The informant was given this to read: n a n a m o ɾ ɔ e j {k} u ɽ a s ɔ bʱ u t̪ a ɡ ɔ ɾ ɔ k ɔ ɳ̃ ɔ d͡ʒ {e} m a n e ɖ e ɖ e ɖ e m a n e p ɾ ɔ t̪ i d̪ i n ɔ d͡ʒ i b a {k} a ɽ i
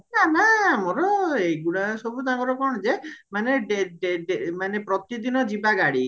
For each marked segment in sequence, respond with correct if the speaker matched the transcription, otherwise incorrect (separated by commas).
incorrect, correct, incorrect